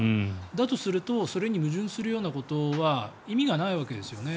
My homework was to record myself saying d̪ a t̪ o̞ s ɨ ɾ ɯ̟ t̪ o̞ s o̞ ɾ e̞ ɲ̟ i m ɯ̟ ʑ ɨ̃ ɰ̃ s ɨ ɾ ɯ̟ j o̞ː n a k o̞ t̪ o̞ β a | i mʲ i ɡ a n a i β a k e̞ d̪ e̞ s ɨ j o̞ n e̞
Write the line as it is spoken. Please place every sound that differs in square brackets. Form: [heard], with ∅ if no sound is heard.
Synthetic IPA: d̪ a t̪ o̞ s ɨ ɾ ɯ̟ t̪ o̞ s o̞ ɾ e̞ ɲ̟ i m ɯ̟ ʑ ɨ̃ ɰ̃ s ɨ ɾ ɯ̟ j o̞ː n a k o̞ t̪ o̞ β a | i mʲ i ɡ a n a i β a k e̞ d̪ e̞ s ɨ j o̞ n e̞